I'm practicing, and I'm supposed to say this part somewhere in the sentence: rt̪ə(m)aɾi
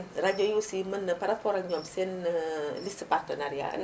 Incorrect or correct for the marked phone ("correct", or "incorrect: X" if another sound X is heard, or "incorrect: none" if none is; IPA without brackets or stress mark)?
incorrect: n